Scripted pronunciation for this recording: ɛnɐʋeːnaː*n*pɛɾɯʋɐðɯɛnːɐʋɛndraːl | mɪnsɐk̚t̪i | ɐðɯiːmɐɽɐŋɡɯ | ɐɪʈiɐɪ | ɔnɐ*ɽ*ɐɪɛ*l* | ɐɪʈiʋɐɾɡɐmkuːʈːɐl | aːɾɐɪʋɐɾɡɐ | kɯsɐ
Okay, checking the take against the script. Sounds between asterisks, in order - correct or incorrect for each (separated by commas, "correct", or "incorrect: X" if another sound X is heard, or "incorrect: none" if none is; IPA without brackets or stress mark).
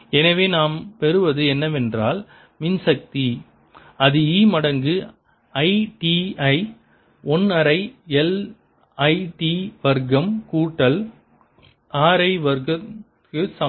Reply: incorrect: m, incorrect: ɾ, correct